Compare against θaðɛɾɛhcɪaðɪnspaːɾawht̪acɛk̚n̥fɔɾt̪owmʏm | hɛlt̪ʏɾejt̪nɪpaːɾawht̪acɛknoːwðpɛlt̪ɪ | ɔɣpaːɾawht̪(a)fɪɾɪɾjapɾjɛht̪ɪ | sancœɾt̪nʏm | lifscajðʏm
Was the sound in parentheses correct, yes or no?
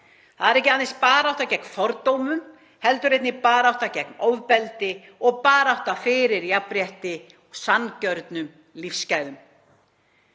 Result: yes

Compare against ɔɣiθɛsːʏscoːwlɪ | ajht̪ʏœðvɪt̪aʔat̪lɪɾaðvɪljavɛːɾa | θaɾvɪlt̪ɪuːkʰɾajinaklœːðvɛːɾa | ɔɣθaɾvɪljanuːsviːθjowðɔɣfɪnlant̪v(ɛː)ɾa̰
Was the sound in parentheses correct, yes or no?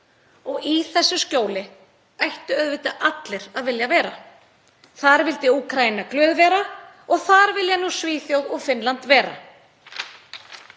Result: yes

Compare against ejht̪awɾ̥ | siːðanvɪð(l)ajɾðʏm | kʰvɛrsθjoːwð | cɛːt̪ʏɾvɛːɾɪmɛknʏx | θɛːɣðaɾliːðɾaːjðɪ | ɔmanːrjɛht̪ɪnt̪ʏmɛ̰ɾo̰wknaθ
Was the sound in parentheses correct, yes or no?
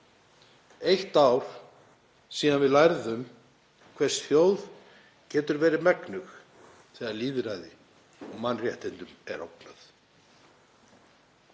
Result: yes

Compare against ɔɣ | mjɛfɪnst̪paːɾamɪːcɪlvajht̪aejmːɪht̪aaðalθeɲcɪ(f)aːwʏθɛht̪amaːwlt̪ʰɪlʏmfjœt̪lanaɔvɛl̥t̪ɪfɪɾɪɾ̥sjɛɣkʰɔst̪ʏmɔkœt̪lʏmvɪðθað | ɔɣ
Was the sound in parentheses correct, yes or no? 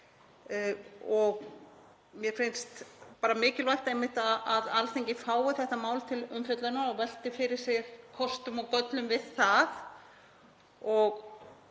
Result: yes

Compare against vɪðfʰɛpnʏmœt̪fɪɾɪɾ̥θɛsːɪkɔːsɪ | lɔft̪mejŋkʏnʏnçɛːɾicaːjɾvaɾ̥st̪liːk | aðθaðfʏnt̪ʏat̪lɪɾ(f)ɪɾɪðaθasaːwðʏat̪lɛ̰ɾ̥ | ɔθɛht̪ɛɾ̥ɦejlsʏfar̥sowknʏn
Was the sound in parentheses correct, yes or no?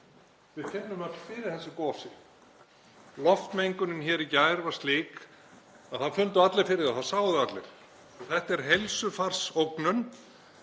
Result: yes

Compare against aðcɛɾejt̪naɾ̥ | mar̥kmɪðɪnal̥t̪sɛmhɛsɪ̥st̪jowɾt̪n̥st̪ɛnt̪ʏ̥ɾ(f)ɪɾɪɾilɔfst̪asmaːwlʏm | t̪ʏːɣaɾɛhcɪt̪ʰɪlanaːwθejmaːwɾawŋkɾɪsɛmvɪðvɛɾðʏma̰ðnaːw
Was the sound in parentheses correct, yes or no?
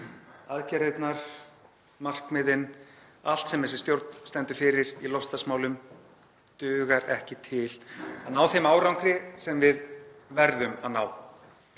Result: yes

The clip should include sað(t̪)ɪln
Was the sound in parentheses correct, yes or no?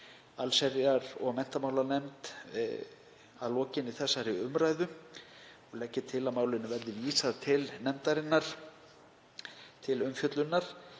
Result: no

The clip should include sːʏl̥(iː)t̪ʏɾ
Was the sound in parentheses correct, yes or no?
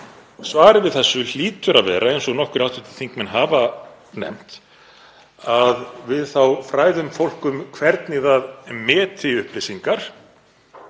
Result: yes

